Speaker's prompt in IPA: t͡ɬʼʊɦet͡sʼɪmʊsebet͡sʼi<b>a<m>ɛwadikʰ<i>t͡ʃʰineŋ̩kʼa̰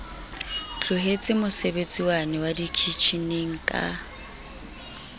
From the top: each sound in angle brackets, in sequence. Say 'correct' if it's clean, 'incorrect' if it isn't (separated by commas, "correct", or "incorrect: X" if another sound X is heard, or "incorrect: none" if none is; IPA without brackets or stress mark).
incorrect: w, incorrect: n, correct